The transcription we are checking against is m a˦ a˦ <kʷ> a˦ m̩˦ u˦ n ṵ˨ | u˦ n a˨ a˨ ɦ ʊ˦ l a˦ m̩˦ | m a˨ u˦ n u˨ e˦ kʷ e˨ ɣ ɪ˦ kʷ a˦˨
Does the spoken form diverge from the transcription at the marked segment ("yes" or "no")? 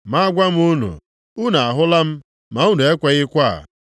yes